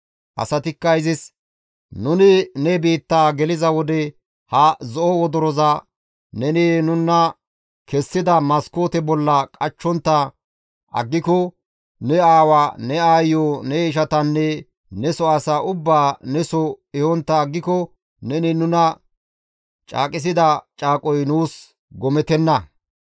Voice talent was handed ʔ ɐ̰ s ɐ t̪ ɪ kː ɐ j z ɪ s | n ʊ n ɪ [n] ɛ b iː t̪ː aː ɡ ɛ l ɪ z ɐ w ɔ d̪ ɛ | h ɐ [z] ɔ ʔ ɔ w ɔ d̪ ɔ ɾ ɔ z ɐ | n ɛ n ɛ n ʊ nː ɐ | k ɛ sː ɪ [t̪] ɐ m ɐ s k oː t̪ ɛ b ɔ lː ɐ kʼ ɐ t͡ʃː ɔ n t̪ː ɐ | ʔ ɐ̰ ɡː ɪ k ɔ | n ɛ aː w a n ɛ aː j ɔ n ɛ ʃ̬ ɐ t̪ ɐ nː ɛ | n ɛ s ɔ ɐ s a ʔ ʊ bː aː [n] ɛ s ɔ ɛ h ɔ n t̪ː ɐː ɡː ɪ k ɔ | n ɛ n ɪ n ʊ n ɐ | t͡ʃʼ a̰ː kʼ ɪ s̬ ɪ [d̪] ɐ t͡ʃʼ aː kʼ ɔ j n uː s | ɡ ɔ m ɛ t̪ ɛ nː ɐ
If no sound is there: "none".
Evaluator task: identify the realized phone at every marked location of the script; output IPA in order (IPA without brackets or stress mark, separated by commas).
n, z, d̪, n, d̪